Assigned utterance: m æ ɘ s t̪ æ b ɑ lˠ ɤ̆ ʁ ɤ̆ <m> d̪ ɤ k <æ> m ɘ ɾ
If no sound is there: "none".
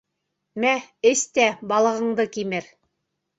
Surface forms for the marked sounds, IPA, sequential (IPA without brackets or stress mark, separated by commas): ɴ, i